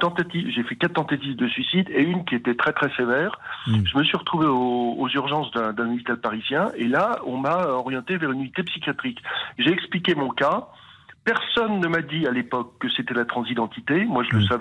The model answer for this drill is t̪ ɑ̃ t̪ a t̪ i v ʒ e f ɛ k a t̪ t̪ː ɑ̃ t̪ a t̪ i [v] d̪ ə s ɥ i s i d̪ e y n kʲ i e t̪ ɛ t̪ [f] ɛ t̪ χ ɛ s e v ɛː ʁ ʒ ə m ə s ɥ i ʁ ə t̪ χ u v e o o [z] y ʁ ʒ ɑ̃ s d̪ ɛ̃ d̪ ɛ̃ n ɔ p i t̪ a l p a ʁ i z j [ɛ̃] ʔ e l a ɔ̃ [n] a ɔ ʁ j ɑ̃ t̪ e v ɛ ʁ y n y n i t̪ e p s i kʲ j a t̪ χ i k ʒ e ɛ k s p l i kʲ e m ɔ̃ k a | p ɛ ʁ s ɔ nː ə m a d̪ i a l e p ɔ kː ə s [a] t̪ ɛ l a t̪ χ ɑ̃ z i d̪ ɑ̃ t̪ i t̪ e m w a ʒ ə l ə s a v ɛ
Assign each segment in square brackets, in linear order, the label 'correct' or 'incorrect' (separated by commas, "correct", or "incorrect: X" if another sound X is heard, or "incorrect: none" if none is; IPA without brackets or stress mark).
correct, incorrect: χ, correct, correct, incorrect: m, incorrect: e